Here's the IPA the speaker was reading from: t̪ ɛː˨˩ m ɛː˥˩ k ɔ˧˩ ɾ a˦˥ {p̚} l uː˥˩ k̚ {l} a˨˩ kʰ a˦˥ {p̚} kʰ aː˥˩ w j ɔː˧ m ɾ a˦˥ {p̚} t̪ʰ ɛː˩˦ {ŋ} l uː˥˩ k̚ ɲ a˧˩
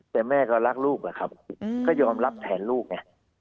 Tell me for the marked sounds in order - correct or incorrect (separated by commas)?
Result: incorrect, correct, correct, correct, incorrect